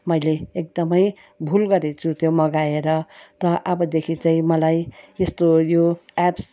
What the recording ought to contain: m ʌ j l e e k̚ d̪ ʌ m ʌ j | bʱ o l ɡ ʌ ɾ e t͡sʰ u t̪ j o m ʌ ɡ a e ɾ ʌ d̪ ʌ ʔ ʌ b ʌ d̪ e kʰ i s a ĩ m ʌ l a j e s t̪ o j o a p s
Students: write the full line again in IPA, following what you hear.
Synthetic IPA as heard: m ʌ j l e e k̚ d̪ ʌ m ʌ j | bʱ u l ɡ ʌ ɾ e t͡sʰ u t̪ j o m ʌ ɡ a e ɾ ʌ t̪ ʌ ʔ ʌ b ʌ d̪ e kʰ i t͡s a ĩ m ʌ l a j e s t̪ o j o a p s